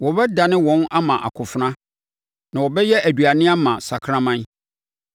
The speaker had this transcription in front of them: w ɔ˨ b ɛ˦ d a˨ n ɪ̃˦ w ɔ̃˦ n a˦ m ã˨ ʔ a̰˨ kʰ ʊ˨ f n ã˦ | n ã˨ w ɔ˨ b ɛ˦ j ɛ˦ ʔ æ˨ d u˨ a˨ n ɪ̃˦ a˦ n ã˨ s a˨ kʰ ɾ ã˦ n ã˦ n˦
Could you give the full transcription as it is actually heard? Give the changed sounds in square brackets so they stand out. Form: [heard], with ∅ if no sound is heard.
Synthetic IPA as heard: w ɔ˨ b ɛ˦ d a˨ n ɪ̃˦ w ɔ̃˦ n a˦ m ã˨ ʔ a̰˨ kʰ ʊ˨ f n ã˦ | n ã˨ w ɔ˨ b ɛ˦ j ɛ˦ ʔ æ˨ d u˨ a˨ n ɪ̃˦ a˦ [m] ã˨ s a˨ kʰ ɾ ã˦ [m] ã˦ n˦